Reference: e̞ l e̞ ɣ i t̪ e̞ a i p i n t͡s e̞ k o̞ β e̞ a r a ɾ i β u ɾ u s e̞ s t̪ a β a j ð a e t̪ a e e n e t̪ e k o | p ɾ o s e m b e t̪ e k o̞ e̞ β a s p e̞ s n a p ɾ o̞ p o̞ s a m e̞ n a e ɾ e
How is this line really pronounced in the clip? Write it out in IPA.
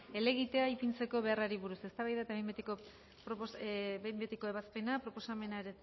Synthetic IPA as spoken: e̞ l e̞ ɣ i t̪ e̞ a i p i n t͡s e̞ k o̞ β e̞ a r a ɾ i β u ɾ u s e̞ s t̪ a β a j ð a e t̪ a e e m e t̪ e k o | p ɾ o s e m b e t̪ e k o̞ e̞ β a s p e̞ n a p ɾ o̞ p o̞ s a m e̞ n a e ɾ e